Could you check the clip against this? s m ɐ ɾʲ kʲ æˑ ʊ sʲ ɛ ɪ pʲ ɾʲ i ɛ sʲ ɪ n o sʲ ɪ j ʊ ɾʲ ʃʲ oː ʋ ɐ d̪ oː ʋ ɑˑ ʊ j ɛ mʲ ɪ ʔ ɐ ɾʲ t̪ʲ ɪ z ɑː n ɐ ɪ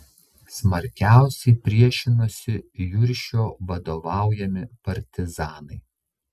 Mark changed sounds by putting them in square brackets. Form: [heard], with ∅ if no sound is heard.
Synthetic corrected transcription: s m ɐ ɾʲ kʲ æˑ ʊ sʲ ɛ ɪ pʲ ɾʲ i ɛ [ʃʲ] ɪ n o sʲ ɪ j ʊ ɾʲ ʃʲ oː ʋ ɐ d̪ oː ʋ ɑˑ ʊ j ɛ mʲ ɪ [p] ɐ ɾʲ t̪ʲ ɪ z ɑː n ɐ ɪ

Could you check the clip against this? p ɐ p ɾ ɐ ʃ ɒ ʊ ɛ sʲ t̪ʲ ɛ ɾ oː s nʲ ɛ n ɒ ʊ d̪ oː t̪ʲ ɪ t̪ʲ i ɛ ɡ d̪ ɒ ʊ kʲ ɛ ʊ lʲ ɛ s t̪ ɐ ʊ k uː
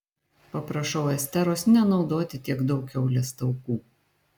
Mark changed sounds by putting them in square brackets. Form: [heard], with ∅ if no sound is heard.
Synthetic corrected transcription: p ɐ p ɾ ɐ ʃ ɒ ʊ ɛ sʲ t̪ʲ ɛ ɾ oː s nʲ ɛ n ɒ ʊ d̪ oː t̪ʲ ɪ t̪ʲ i ɛ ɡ d̪ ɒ ʊ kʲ ɛ ʊ lʲ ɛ s t̪ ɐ ʊ k uː

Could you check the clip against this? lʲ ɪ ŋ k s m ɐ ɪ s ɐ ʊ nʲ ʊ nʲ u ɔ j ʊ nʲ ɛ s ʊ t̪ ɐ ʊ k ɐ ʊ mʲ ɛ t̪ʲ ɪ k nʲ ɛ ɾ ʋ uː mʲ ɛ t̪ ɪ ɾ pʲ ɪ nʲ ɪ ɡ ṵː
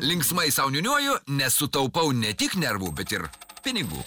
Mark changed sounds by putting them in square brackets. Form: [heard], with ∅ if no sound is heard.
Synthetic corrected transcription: lʲ ɪ ŋ k s m ɐ ɪ s ɐ ʊ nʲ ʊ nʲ u ɔ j ʊ nʲ ɛ s ʊ t̪ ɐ ʊ [p] ɐ ʊ [nʲ] ɛ t̪ʲ ɪ k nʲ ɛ ɾ ʋ uː [bʲ] ɛ t̪ ɪ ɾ pʲ ɪ nʲ ɪ ɡ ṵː

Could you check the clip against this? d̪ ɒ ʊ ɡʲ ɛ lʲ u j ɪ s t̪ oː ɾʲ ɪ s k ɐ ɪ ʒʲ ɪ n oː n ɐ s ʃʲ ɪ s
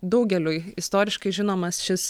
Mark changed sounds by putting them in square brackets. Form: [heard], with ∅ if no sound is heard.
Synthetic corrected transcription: d̪ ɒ ʊ ɡʲ ɛ lʲ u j ɪ s t̪ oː ɾʲ ɪ [ʃ] k ɐ ɪ ʒʲ ɪ n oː [m] ɐ s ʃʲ ɪ s

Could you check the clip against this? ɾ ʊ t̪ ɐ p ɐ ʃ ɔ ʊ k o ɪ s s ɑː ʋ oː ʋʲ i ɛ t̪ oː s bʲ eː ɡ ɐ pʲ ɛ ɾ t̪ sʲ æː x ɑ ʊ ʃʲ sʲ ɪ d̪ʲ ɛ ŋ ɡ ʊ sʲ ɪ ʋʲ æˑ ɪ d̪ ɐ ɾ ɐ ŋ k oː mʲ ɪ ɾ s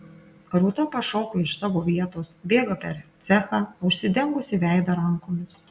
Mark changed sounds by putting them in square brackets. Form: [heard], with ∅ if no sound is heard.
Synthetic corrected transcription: ɾ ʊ t̪ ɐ p ɐ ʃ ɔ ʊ k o ɪ [ʃ] s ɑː ʋ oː ʋʲ i ɛ t̪ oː s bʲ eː ɡ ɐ pʲ ɛ ɾ t̪ sʲ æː x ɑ ʊ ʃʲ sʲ ɪ d̪ʲ ɛ ŋ ɡ ʊ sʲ ɪ ʋʲ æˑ ɪ d̪ ɐ ɾ ɐ ŋ k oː mʲ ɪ [∅] s

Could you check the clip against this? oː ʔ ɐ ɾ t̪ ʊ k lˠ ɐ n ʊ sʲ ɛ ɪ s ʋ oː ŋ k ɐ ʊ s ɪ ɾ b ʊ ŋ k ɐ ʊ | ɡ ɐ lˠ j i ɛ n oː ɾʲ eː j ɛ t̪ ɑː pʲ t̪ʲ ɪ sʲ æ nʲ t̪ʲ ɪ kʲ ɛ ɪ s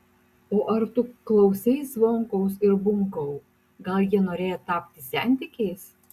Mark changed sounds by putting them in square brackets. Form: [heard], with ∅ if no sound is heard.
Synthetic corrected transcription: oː ʔ ɐ ɾ t̪ ʊ k lˠ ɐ [∅] ʊ sʲ ɛ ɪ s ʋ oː ŋ k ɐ ʊ s ɪ ɾ b ʊ ŋ k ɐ ʊ | ɡ ɐ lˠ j i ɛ n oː ɾʲ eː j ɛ t̪ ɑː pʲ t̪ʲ ɪ sʲ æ nʲ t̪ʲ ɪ kʲ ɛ ɪ s

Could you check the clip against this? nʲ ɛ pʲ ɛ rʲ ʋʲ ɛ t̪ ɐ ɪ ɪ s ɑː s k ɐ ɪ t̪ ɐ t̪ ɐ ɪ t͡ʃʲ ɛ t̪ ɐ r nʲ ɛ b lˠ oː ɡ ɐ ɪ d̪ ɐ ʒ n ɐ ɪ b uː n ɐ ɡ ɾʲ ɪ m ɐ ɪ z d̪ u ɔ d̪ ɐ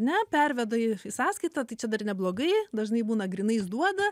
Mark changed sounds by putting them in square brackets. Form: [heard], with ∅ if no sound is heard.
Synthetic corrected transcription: nʲ ɛ pʲ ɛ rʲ ʋʲ ɛ [d̪] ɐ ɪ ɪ s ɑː s k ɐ ɪ t̪ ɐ t̪ ɐ ɪ t͡ʃʲ ɛ [d̪] ɐ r nʲ ɛ b lˠ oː ɡ ɐ ɪ d̪ ɐ ʒ n ɐ ɪ b uː n ɐ ɡ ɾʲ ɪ [n] ɐ ɪ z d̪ u ɔ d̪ ɐ

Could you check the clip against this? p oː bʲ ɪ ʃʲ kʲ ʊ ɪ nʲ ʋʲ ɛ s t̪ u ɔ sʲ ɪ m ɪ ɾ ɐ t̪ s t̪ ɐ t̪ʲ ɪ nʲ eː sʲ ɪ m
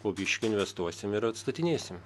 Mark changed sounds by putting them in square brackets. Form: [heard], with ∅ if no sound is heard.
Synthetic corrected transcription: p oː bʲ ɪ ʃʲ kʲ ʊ ɪ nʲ ʋʲ ɛ s t̪ u ɔ sʲ ɪ m ɪ ɾ ɐ t̪ s t̪ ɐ t̪ʲ ɪ nʲ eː sʲ ɪ m

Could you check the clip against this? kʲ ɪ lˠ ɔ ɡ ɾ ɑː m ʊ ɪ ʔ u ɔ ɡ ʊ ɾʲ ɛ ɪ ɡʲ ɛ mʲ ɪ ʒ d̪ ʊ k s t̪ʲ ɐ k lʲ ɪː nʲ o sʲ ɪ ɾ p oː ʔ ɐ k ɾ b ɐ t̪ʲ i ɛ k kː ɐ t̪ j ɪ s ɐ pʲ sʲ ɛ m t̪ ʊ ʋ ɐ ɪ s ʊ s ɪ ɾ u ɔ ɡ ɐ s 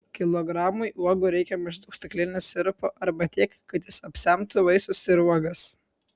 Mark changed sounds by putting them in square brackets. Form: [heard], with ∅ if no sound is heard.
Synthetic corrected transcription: kʲ ɪ lˠ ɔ ɡ ɾ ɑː m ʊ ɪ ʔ u ɔ ɡ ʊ ɾʲ ɛ ɪ [kʲ] ɛ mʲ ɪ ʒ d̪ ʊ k s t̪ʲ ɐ k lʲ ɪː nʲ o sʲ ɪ ɾ p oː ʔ ɐ [∅] ɾ b ɐ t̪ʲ i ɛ k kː ɐ t̪ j ɪ s ɐ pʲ sʲ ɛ m t̪ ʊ ʋ ɐ ɪ s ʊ s ɪ ɾ u ɔ ɡ ɐ s

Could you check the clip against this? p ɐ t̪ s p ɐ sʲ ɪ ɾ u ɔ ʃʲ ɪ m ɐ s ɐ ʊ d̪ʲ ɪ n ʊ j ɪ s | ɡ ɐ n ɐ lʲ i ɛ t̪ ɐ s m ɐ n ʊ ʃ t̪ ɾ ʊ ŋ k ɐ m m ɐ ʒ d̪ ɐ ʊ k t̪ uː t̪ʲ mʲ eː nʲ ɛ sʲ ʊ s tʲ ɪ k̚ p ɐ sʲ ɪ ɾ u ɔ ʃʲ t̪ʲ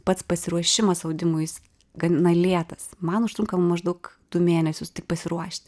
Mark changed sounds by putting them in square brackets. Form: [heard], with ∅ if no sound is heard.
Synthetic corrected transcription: p ɐ t̪ s p ɐ sʲ ɪ ɾ u ɔ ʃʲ ɪ m ɐ s ɐ ʊ d̪ʲ ɪ [m] ʊ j ɪ s | ɡ ɐ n ɐ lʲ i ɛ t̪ ɐ s m ɐ n ʊ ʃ t̪ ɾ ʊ ŋ k ɐ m m ɐ ʒ d̪ ɐ ʊ k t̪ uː [∅] mʲ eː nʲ ɛ sʲ ʊ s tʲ ɪ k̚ p ɐ sʲ ɪ ɾ u ɔ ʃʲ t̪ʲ

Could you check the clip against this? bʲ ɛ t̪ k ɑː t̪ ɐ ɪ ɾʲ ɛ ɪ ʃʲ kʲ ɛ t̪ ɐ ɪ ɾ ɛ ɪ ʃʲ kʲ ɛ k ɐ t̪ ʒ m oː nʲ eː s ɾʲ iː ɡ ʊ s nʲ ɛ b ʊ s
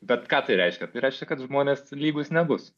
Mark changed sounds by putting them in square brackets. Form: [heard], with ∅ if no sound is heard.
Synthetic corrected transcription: bʲ ɛ t̪ k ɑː t̪ ɐ ɪ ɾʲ ɛ ɪ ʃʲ kʲ ɛ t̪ ɐ ɪ ɾ ɛ ɪ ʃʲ kʲ ɛ k ɐ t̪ ʒ m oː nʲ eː s [lʲ] iː ɡ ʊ s nʲ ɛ b ʊ s

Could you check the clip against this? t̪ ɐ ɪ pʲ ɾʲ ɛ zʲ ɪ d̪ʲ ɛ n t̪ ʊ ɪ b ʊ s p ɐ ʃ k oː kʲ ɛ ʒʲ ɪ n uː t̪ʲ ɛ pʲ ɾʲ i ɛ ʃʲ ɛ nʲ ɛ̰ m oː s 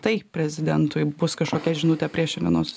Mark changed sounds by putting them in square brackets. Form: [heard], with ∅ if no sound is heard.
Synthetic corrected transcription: t̪ ɐ ɪ pʲ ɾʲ ɛ zʲ ɪ d̪ʲ ɛ n t̪ ʊ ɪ b ʊ s [k] ɐ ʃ k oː kʲ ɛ ʒʲ ɪ n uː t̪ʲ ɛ pʲ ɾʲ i ɛ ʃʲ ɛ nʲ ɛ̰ [n] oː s

